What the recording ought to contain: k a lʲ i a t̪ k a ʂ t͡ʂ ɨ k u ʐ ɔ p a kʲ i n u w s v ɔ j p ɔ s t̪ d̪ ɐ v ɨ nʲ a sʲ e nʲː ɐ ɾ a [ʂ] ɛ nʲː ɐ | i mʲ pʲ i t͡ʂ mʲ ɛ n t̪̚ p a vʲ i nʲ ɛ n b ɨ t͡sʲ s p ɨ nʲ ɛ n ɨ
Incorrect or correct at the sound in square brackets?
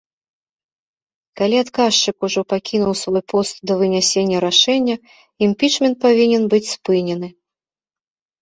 correct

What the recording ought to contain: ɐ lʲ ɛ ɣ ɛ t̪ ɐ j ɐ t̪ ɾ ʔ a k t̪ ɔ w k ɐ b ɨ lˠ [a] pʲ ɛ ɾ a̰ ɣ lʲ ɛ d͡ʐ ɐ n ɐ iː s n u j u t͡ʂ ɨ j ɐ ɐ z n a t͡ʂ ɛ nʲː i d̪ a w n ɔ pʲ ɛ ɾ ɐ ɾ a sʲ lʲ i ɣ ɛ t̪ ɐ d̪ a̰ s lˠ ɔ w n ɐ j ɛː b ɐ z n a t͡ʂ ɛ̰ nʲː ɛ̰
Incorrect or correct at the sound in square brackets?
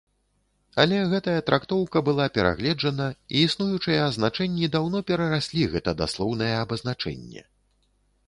correct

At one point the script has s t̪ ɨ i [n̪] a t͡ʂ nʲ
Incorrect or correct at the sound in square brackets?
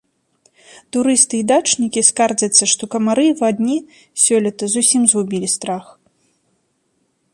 incorrect: d̪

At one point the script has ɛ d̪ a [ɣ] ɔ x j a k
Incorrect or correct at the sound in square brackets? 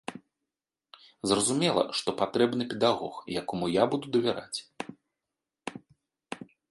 correct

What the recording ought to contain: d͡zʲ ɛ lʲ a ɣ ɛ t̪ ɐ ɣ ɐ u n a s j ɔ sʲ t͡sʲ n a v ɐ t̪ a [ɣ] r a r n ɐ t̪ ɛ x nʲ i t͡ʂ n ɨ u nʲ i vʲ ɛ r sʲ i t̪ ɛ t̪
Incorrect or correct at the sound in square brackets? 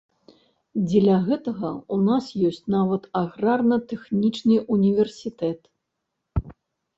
correct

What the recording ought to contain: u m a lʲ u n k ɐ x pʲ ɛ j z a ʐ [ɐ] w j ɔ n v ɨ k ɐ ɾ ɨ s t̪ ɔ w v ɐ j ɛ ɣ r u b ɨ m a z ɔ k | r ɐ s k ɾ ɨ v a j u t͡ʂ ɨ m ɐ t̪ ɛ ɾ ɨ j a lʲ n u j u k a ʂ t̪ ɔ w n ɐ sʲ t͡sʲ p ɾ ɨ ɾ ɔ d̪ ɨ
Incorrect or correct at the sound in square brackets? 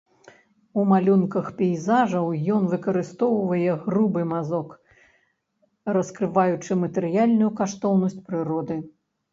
correct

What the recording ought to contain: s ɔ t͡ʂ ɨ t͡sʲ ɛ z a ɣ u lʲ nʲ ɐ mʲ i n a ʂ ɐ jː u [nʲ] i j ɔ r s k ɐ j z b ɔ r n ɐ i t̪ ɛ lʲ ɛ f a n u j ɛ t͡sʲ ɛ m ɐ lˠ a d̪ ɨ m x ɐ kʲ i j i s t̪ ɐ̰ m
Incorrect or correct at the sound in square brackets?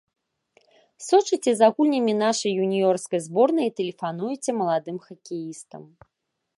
correct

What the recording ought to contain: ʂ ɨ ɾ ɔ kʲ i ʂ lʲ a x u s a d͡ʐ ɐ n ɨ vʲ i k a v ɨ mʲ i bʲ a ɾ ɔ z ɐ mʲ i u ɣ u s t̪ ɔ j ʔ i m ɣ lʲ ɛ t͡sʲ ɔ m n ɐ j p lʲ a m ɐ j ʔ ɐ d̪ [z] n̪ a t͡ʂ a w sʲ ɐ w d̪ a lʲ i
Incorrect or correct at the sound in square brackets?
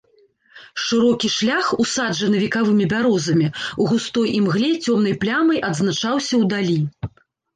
correct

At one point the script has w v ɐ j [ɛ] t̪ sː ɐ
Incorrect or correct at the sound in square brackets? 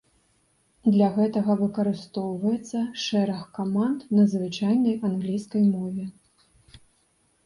correct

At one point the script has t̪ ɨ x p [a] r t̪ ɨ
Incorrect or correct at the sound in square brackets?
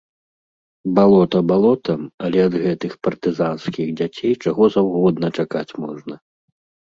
incorrect: ɐ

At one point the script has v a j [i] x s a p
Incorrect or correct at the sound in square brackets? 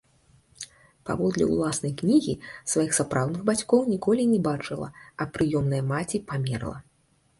correct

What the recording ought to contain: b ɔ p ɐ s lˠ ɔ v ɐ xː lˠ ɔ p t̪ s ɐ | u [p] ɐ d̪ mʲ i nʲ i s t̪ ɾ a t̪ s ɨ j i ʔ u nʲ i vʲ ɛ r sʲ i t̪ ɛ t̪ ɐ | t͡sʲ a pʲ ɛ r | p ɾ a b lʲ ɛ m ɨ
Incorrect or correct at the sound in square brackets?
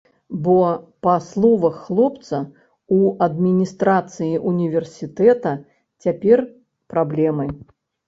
incorrect: none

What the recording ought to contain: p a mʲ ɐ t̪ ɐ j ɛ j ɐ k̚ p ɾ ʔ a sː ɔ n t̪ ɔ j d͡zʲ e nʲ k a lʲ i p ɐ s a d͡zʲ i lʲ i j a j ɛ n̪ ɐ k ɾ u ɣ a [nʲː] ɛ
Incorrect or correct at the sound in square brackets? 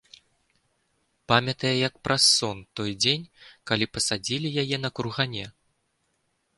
incorrect: nʲ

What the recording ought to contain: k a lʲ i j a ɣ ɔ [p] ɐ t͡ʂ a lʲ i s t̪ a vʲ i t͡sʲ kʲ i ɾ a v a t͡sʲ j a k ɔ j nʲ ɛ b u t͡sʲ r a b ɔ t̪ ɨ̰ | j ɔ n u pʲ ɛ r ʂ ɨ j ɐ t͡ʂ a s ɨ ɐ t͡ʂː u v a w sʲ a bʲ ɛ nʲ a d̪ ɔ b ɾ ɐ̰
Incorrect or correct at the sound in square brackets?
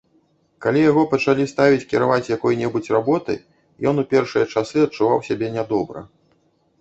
correct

